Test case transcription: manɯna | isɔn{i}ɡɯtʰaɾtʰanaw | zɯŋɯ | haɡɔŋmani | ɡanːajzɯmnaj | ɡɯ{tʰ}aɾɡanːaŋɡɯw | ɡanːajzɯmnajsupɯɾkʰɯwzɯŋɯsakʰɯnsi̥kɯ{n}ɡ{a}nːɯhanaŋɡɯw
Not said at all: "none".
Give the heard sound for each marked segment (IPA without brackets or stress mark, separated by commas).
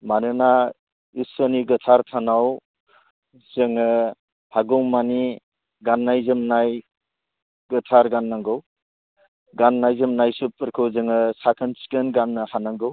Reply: i, tʰ, n, a